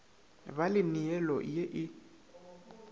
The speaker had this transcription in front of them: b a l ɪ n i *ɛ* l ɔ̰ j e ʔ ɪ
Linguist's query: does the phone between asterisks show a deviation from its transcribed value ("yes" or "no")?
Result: no